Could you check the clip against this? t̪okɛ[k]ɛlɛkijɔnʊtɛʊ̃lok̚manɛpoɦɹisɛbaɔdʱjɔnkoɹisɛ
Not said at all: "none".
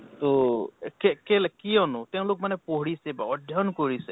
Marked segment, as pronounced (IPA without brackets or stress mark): k